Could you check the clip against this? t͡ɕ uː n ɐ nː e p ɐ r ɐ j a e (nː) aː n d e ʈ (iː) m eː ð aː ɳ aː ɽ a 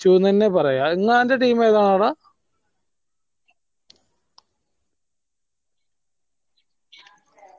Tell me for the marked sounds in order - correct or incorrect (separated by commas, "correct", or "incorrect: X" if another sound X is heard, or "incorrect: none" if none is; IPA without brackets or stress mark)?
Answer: incorrect: ŋː, correct